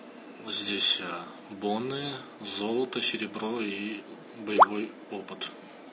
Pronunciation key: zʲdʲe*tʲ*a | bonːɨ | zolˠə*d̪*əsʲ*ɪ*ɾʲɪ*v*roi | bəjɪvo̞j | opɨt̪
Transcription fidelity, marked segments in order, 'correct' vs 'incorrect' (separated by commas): incorrect, incorrect, correct, incorrect